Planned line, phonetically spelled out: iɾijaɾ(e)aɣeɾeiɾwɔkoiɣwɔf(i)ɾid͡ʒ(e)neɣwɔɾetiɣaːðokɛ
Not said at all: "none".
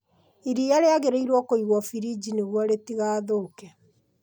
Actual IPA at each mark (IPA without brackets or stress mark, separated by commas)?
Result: e, i, i